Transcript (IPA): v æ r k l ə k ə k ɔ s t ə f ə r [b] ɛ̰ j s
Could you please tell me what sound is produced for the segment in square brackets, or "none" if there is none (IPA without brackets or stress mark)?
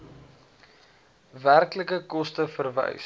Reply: v